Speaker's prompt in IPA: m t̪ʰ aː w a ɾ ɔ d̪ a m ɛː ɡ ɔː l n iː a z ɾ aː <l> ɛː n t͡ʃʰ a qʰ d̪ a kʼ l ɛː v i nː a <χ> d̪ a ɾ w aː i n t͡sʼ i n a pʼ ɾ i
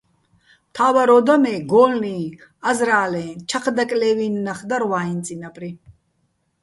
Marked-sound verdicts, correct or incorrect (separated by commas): correct, correct